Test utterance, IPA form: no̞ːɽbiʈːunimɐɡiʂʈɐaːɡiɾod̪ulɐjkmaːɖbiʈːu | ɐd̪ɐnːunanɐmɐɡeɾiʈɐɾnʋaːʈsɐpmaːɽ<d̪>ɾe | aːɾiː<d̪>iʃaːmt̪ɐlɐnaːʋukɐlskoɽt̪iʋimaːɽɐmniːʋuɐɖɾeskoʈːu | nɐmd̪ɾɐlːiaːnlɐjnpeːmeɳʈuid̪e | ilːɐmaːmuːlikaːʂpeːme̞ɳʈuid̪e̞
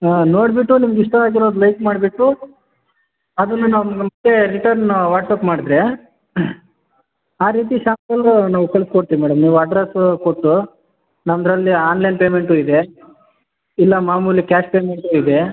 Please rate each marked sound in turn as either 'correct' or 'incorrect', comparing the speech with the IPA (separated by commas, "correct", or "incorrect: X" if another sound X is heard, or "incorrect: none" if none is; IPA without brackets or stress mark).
correct, incorrect: t̪